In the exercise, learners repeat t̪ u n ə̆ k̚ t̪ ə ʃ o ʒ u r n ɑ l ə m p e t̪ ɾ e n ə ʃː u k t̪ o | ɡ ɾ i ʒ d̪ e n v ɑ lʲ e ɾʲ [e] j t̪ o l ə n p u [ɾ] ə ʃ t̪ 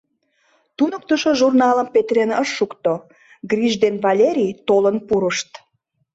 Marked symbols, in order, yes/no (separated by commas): no, yes